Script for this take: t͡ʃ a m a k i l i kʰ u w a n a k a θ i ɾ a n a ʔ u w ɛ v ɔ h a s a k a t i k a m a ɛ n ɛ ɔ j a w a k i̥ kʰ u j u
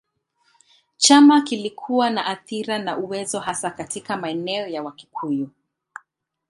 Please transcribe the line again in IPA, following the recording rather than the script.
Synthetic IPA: t͡ʃ a m a k i l i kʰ u w a n a ʔ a θ i ɾ a n a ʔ u w ɛ z ɔ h a s a k a t i k a m a ɛ n ɛ ɔ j a w a k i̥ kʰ u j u